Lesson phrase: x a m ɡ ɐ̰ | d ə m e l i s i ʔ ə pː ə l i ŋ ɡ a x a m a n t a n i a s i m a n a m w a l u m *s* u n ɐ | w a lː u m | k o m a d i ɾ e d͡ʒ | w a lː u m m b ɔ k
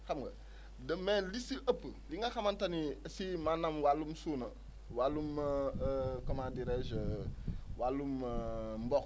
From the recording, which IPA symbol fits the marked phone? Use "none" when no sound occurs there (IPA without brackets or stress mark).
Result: s